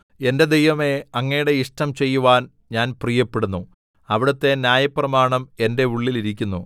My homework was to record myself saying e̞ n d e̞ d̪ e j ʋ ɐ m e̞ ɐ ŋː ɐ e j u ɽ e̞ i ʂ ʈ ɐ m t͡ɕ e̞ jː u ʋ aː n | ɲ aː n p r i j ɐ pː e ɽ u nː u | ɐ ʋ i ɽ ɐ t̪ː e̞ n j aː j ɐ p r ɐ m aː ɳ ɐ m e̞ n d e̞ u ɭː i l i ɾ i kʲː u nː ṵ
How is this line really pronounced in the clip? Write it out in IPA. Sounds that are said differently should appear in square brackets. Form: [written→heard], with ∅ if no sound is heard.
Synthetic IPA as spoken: e̞ n d e̞ d̪ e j ʋ ɐ m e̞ ɐ ŋː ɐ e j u ɽ e̞ i ʂ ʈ ɐ m t͡ɕ e̞ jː u ʋ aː n | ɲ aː n p r i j ɐ pː e ɽ u nː u | ɐ ʋ i ɽ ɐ t̪ː e̞ n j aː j ɐ p r ɐ m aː ɳ ɐ m e̞ n d e̞ u ɭː i l i ɾ i kʲː u nː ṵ